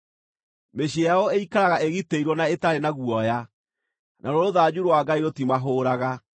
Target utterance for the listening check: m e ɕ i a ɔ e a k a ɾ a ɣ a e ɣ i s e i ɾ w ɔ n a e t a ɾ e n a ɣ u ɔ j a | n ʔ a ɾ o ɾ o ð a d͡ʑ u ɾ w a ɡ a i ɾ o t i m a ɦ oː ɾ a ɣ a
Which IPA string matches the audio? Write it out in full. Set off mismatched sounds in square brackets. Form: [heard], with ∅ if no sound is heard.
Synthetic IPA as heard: m e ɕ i a ɔ e [i] k a ɾ a ɣ a e ɣ i [t] e i ɾ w ɔ n a e t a ɾ e n a ɣ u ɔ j a | n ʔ a ɾ o ɾ o ð a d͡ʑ u ɾ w a ɡ a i ɾ o t i m a ɦ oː ɾ a ɣ a